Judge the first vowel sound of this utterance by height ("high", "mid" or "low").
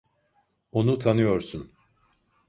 mid